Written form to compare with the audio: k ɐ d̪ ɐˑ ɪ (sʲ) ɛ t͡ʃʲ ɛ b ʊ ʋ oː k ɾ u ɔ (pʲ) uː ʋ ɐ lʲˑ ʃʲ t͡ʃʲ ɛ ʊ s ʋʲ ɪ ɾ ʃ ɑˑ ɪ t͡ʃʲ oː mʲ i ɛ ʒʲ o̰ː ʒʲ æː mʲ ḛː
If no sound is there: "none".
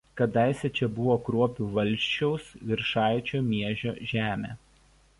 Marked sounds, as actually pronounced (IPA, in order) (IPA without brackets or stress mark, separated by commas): sʲ, pʲ